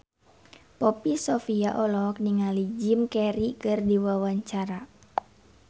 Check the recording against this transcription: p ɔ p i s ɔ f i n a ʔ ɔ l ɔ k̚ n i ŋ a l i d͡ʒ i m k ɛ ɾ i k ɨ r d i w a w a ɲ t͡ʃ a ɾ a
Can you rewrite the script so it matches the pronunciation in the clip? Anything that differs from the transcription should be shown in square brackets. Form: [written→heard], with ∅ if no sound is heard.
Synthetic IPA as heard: p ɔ p i s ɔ f i [n→∅] a ʔ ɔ l ɔ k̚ n i ŋ a l i d͡ʒ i m k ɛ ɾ i k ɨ r d i w a w a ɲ t͡ʃ a ɾ a